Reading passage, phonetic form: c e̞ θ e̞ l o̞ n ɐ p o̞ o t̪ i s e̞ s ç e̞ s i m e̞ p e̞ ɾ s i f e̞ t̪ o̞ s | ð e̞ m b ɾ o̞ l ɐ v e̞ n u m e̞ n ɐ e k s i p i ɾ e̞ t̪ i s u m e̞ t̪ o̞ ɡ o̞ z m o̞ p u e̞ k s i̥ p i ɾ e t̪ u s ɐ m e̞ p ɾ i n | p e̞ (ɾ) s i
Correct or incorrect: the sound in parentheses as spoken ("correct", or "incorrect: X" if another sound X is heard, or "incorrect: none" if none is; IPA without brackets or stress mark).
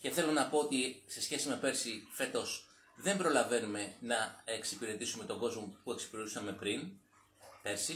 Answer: correct